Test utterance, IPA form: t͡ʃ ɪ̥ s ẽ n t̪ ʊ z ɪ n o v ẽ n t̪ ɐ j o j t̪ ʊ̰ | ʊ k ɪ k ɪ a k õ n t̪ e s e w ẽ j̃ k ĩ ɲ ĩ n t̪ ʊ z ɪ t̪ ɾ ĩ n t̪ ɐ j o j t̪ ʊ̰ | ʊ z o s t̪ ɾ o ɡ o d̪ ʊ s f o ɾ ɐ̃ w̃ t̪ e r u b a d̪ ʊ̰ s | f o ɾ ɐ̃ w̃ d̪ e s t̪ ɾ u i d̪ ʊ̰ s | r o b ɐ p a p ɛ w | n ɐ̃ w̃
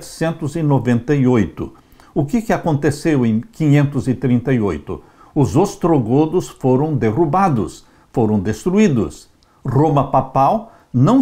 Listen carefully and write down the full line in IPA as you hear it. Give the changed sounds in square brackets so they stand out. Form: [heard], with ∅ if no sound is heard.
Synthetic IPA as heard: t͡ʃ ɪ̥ s ẽ n t̪ ʊ z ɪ n o v ẽ n t̪ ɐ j o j t̪ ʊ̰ | ʊ k ɪ k ɪ a k õ n t̪ e s e w ẽ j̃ k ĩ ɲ [ẽ] n t̪ ʊ z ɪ t̪ ɾ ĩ n t̪ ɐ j o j t̪ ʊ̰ | ʊ z o s t̪ ɾ o ɡ o d̪ ʊ s f o ɾ ɐ̃ w̃ [d̪] e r u b a d̪ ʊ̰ s | f o ɾ ɐ̃ w̃ d̪ e s t̪ ɾ u i d̪ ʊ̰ s | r o [m] ɐ p a p [a] w | n ɐ̃ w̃